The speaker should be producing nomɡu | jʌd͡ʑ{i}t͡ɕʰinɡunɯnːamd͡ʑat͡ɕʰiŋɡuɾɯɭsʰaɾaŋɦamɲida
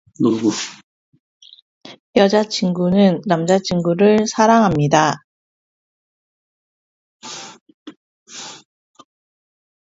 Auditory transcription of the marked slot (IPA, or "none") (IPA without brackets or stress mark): a